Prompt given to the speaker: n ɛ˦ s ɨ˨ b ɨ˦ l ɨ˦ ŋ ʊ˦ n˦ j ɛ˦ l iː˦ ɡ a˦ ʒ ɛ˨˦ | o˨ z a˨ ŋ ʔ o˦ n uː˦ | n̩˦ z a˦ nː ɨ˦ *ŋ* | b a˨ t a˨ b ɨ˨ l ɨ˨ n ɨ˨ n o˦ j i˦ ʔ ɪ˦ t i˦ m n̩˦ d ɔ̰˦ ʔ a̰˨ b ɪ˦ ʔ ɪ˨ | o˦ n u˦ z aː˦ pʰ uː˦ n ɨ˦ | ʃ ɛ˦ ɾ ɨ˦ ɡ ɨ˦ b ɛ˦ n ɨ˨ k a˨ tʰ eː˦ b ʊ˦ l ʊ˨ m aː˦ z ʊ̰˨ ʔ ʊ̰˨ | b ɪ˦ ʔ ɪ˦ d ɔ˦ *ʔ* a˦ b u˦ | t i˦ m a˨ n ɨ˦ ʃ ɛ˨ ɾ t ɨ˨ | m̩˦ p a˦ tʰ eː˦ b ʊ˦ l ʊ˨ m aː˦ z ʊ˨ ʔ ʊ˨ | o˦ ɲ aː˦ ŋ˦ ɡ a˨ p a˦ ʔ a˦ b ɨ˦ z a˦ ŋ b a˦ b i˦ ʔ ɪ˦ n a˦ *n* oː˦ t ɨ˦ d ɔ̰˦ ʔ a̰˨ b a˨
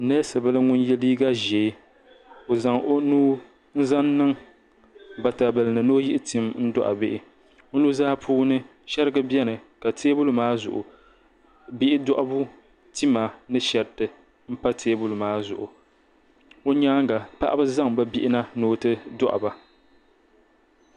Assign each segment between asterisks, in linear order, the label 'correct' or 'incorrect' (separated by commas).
correct, correct, correct